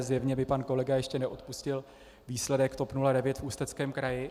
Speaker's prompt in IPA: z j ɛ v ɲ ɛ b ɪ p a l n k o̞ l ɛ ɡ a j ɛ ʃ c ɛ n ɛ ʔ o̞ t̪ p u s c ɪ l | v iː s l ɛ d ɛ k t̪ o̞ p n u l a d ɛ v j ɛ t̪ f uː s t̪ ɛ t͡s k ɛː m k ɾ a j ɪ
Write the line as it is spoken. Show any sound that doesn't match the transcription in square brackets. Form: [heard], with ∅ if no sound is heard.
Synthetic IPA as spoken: z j ɛ v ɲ ɛ b ɪ p a [∅] n k o̞ l ɛ ɡ a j ɛ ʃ c ɛ n ɛ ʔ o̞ t̪ p u s c ɪ l | v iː s l ɛ d ɛ k t̪ o̞ p n u l a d ɛ v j ɛ t̪ f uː s t̪ ɛ t͡s k ɛː m k ɾ a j ɪ

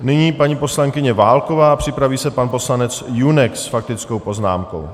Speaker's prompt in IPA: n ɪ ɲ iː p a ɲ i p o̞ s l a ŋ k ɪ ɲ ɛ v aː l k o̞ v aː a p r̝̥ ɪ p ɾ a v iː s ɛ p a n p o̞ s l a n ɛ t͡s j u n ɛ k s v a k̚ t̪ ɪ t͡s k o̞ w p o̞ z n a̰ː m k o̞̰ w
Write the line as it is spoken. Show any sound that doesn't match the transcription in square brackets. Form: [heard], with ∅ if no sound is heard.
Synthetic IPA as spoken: n ɪ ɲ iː p a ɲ i p o̞ s l a ŋ k ɪ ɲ ɛ v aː l k o̞ v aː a p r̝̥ ɪ p ɾ a v iː s ɛ p a n p o̞ s l a n ɛ t͡s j u n ɛ k s [f] a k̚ t̪ ɪ t͡s k o̞ w p o̞ z n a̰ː m k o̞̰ w

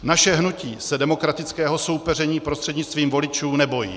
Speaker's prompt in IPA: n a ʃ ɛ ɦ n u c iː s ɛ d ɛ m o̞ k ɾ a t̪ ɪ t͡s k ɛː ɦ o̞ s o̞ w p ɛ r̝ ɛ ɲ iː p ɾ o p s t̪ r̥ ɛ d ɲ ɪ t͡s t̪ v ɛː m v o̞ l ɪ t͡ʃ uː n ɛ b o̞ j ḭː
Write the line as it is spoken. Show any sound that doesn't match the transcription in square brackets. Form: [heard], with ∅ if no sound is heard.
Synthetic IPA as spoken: n a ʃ ɛ ɦ n u c iː s ɛ d ɛ m o̞ k ɾ a t̪ ɪ t͡s k ɛː ɦ o̞ s o̞ w p ɛ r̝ ɛ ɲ iː p ɾ o [∅] s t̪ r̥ ɛ d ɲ ɪ t͡s t̪ v [iː] m v o̞ l ɪ t͡ʃ uː n ɛ b o̞ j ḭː

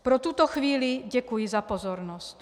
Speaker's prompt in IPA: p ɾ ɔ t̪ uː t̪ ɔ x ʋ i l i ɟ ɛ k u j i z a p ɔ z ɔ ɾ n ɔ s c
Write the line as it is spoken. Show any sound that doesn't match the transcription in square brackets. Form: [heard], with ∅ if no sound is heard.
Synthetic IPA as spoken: p ɾ ɔ t̪ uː t̪ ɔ x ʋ [iː] l i ɟ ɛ k u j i z a p ɔ z ɔ ɾ n ɔ s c

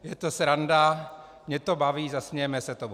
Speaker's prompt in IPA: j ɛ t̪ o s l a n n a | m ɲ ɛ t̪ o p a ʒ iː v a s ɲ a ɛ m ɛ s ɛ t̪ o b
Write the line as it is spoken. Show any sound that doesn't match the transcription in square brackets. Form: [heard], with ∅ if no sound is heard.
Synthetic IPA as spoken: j ɛ t̪ o s [ɾ] a n [d] a | m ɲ ɛ t̪ o [b] a [v] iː [z] a s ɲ [ɛ] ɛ m ɛ s ɛ t̪ o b

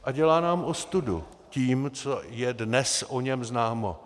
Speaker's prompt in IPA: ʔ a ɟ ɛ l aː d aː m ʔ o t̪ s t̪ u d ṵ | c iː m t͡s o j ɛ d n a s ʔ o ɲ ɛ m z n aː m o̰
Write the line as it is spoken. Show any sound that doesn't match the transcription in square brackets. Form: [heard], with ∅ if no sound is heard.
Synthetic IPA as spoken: ʔ a ɟ ɛ l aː [n] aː m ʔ o [∅] s t̪ u d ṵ | c iː m t͡s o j ɛ d n [ɛ] s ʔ o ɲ ɛ m z n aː m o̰

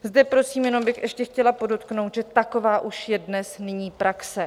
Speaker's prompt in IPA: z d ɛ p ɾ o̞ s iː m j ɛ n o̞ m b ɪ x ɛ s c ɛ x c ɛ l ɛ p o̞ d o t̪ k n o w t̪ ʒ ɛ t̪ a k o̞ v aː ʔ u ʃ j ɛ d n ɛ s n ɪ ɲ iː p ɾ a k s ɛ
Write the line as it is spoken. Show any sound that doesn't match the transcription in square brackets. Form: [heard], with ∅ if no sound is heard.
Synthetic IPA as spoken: z d ɛ p ɾ o̞ s iː m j ɛ n o̞ m b ɪ x ɛ [ʃ] c ɛ x c ɛ l [a] p o̞ d o t̪ k n o w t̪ ʒ ɛ t̪ a k o̞ v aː ʔ u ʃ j ɛ d n ɛ s n ɪ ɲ iː p ɾ a k s ɛ

